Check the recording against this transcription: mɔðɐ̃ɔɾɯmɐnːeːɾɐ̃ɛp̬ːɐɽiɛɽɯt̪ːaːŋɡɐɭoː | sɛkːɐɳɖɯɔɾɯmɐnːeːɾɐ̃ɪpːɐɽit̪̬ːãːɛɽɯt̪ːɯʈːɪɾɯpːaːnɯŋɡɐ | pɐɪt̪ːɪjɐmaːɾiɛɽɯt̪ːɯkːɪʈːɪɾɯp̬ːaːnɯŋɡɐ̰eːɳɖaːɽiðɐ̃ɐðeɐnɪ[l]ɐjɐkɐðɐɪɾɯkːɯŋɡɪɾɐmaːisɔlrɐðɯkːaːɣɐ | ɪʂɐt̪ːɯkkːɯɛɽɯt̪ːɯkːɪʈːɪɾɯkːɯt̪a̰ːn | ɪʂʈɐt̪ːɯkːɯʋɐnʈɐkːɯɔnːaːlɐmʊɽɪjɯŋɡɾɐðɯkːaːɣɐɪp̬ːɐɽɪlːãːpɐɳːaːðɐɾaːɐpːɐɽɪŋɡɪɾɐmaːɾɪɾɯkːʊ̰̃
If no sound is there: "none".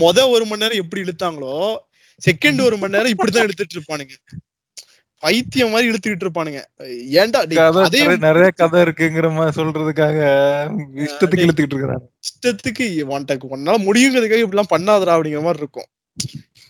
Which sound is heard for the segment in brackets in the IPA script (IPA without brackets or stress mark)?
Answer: ɾ